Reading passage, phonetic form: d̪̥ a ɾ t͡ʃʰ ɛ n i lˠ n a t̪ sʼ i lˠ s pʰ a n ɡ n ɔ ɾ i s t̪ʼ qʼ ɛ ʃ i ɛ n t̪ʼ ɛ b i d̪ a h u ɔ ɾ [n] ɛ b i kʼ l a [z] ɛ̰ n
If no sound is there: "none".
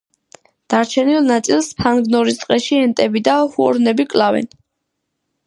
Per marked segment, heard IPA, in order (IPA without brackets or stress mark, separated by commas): n, v